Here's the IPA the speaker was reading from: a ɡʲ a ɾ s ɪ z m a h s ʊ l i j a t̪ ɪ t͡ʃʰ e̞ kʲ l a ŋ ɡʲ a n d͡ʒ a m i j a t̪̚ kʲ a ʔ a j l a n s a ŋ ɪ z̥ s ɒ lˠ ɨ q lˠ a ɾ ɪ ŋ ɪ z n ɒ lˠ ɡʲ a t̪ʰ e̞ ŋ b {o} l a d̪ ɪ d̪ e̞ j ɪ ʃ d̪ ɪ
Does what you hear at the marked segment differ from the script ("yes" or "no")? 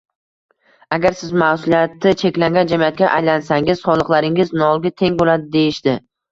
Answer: no